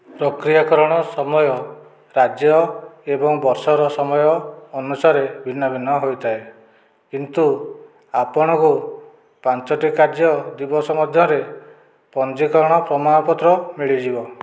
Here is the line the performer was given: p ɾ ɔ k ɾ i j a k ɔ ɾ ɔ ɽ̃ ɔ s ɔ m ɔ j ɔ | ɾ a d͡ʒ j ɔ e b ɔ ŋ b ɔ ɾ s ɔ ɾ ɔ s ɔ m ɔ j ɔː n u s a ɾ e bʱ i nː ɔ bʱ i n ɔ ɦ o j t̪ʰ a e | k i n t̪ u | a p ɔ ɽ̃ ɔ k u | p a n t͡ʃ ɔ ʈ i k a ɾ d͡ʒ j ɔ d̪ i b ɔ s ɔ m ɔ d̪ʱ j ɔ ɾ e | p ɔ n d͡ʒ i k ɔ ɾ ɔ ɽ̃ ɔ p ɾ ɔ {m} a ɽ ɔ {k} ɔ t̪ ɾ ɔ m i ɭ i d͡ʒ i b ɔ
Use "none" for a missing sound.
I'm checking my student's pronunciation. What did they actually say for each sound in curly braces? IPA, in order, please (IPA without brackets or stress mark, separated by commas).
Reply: m, p